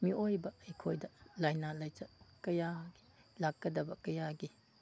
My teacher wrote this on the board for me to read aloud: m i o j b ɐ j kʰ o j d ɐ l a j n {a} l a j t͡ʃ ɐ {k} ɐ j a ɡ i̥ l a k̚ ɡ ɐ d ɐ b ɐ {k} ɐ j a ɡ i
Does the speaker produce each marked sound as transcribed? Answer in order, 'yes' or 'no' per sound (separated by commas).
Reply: yes, yes, yes